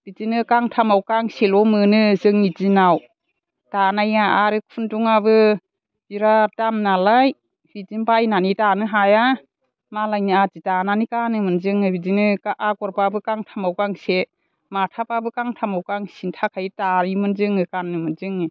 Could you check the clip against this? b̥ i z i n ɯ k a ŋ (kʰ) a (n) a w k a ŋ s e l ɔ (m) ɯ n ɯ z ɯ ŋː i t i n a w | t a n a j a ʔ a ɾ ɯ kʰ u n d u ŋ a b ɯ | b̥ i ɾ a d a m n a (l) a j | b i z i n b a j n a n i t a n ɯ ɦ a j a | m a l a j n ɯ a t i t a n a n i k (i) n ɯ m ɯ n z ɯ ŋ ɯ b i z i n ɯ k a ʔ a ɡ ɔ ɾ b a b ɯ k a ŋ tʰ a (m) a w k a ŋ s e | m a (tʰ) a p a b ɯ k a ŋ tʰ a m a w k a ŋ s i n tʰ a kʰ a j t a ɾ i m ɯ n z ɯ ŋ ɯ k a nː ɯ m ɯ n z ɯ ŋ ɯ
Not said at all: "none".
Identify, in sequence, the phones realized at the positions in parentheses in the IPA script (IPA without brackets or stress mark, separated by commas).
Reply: tʰ, m, m, l, a, m, tʰ